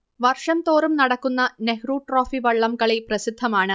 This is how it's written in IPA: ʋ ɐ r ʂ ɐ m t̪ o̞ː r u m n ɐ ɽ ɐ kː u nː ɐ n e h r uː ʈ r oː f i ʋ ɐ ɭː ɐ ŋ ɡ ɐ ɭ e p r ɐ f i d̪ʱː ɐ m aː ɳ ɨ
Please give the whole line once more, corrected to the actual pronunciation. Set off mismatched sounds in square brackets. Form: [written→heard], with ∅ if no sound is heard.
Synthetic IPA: ʋ ɐ r ʂ ɐ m t̪ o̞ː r u m n ɐ ɽ ɐ kː u nː ɐ n e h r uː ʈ r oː f i ʋ ɐ ɭː ɐ [ŋ→m] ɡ ɐ ɭ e p r ɐ [f→s] i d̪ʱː ɐ m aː ɳ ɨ

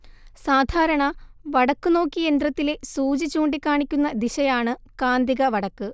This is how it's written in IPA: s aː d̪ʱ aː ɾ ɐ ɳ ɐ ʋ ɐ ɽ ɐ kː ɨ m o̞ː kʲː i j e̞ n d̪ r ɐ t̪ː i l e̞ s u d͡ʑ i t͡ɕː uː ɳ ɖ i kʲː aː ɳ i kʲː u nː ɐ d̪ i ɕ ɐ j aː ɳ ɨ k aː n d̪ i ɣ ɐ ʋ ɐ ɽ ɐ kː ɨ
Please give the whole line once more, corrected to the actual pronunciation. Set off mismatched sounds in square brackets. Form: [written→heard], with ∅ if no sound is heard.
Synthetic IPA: s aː d̪ʱ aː ɾ ɐ ɳ ɐ ʋ ɐ ɽ ɐ kː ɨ [m→n] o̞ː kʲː i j e̞ n d̪ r ɐ t̪ː i l e̞ s [u→uː] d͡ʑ i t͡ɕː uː ɳ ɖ i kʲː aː ɳ i kʲː u nː ɐ d̪ i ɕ ɐ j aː ɳ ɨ k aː n d̪ i ɣ ɐ ʋ ɐ ɽ ɐ kː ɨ

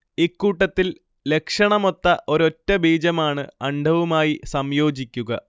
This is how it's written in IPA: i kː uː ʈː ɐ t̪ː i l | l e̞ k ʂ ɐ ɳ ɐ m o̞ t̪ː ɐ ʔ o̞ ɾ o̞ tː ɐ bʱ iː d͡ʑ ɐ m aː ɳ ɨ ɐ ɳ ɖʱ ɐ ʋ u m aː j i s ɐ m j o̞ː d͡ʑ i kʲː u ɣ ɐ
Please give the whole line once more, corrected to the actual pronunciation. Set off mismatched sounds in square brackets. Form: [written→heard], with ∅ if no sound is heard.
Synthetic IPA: i kː uː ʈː ɐ t̪ː i l | l e̞ k ʂ ɐ ɳ ɐ m o̞ t̪ː ɐ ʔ o̞ ɾ o̞ tː ɐ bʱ iː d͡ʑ ɐ m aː ɳ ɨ ɐ ɳ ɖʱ ɐ ʋ u m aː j i s ɐ m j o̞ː d͡ʑ i kʲː u ɣ ɐ

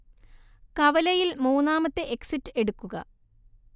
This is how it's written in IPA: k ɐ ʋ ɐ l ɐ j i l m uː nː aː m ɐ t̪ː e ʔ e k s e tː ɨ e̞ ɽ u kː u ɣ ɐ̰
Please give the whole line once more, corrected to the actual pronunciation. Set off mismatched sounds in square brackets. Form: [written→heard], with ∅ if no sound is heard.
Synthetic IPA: k ɐ ʋ ɐ l ɐ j i l m uː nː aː m ɐ t̪ː e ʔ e k s [e→i] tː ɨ e̞ ɽ u kː u ɣ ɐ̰

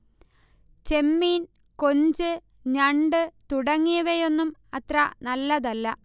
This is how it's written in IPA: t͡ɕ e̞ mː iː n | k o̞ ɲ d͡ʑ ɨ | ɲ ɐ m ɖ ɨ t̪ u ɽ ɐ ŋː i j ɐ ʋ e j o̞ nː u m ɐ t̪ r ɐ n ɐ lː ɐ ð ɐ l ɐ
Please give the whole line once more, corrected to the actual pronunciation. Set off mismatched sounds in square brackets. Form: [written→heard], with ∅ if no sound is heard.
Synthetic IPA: t͡ɕ e̞ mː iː n | k o̞ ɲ d͡ʑ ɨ | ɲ ɐ [m→ɳ] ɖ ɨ t̪ u ɽ ɐ ŋː i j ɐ ʋ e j o̞ nː u m ɐ t̪ r ɐ n ɐ lː ɐ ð ɐ [l→lː] ɐ

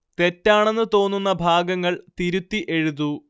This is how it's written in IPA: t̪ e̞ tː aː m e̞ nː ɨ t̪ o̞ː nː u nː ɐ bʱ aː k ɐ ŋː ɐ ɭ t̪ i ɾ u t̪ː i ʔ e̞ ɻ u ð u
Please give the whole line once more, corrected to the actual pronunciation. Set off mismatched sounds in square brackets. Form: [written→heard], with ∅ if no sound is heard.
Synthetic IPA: t̪ e̞ tː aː [m→ɳ] e̞ nː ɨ t̪ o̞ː nː u nː ɐ bʱ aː [k→ɡ] ɐ ŋː ɐ ɭ t̪ i ɾ u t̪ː i ʔ e̞ ɻ u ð u

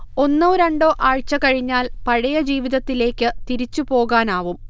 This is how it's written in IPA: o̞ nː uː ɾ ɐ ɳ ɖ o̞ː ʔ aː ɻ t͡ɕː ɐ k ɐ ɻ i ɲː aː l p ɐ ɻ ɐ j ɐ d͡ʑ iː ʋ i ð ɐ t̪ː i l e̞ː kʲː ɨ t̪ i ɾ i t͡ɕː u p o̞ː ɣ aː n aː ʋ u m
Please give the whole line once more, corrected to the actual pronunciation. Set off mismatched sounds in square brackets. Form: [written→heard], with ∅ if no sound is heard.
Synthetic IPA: o̞ nː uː ɾ ɐ ɳ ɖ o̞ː ʔ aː ɻ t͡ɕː ɐ k ɐ ɻ i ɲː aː l p ɐ ɻ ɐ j ɐ d͡ʑ iː ʋ i ð ɐ t̪ː i l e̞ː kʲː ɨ t̪ i ɾ i t͡ɕː u p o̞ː ɣ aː n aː ʋ u m

